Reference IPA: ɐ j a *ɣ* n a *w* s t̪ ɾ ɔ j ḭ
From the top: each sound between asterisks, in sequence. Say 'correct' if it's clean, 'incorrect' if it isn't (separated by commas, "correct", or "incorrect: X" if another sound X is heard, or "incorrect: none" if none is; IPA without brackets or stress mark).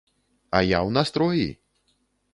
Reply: incorrect: w, incorrect: none